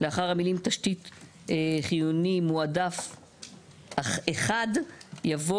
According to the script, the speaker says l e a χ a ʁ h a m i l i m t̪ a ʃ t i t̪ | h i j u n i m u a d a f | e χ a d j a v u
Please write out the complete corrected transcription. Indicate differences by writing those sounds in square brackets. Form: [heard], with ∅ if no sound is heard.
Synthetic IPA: l e a χ a ʁ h a m i l i m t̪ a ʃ t i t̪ | [χ] i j u n i m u a d a f | e χ a d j a v [o]